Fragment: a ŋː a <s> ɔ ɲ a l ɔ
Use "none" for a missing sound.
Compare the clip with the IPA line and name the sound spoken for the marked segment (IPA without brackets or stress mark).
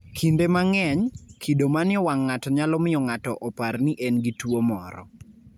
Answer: t